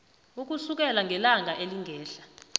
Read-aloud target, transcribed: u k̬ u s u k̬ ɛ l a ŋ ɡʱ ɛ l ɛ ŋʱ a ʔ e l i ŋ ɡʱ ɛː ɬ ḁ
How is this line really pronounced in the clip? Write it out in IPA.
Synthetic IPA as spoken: u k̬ u s u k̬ ɛ l a ŋ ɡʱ ɛ l a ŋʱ a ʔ e l i ŋ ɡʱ ɛː ɬ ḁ